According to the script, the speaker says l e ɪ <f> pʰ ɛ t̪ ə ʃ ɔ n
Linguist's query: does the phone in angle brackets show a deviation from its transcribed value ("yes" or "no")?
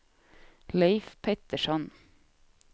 no